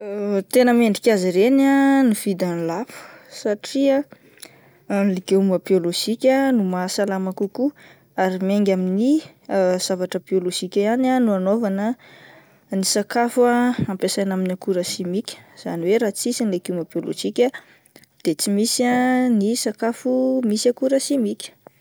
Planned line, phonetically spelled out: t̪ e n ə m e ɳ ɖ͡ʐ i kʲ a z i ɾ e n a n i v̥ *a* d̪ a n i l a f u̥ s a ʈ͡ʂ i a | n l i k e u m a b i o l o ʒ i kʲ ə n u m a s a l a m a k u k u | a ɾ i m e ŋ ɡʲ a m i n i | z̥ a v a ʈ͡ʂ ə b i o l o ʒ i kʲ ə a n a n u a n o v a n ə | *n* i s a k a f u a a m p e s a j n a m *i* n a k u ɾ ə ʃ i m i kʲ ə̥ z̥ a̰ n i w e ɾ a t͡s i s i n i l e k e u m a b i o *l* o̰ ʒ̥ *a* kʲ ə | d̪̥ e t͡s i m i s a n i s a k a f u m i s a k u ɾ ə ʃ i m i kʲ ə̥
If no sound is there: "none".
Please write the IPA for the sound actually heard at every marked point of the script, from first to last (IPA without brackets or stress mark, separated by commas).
i, n, i, l, i